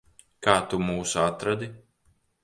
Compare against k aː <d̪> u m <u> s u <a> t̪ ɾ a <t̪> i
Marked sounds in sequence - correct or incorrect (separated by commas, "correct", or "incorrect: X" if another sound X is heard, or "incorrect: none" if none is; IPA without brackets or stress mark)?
incorrect: t̪, incorrect: uː, correct, incorrect: d̪